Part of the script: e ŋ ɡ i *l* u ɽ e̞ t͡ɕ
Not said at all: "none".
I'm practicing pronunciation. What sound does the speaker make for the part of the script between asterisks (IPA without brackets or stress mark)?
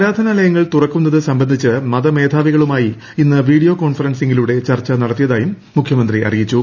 l